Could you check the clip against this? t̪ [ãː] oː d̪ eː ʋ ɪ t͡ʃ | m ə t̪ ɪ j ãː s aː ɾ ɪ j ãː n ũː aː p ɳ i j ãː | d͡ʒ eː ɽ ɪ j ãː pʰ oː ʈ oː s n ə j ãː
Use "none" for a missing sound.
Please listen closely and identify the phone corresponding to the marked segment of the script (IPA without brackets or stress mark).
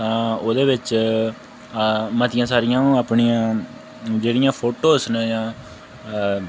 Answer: ãː